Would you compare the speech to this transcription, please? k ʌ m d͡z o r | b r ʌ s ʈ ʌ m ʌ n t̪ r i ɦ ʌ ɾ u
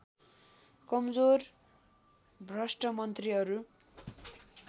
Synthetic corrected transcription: k ʌ m d͡z o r | b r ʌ s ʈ ʌ m ʌ n t̪ r i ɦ ʌ ɾ u